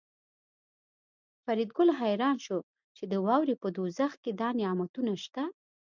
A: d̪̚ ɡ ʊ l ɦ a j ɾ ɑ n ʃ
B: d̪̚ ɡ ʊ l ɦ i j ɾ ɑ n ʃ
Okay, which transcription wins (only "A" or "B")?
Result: A